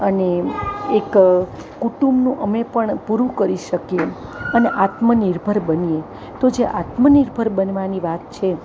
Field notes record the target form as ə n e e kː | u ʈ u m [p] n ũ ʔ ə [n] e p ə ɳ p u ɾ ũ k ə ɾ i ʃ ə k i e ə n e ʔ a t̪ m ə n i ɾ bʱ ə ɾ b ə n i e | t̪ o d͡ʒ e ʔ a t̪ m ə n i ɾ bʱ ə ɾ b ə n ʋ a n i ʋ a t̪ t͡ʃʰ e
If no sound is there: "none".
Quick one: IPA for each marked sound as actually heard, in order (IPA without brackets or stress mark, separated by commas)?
b, m